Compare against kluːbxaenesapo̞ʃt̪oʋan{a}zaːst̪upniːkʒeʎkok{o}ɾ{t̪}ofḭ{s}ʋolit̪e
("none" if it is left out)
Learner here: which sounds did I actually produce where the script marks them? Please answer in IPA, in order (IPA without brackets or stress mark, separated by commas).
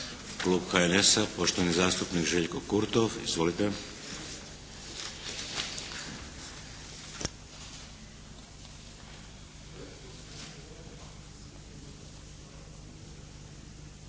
i, u, t̪, z